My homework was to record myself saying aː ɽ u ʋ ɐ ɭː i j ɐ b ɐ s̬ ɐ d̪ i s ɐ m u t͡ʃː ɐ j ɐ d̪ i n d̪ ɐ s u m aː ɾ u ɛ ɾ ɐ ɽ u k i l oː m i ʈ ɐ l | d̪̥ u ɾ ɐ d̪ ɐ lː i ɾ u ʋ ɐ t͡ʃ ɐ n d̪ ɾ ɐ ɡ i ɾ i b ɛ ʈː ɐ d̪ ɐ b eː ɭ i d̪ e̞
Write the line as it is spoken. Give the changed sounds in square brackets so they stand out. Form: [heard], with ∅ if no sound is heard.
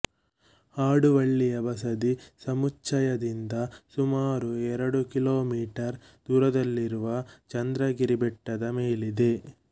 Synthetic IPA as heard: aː ɽ u ʋ ɐ ɭː i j ɐ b ɐ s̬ ɐ d̪ i s ɐ m u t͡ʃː ɐ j ɐ d̪ i n d̪ ɐ s u m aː ɾ u ɛ ɾ ɐ ɽ u k i l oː m [iː] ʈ ɐ [ɾ] | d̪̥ [uː] ɾ ɐ d̪ ɐ lː i ɾ u ʋ ɐ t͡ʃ ɐ n d̪ ɾ ɐ ɡ i ɾ i b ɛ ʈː ɐ d̪ ɐ [m] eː [l] i d̪ e̞